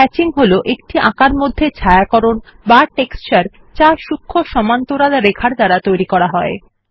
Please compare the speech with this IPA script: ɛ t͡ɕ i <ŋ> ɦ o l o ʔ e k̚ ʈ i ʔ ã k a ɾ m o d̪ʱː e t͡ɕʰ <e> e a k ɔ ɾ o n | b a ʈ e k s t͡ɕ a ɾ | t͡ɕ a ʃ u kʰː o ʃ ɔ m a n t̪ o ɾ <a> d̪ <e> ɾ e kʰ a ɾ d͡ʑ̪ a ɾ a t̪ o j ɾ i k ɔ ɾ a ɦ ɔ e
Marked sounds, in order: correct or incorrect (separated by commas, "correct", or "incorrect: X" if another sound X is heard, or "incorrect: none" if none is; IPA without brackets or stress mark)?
correct, incorrect: a, correct, incorrect: a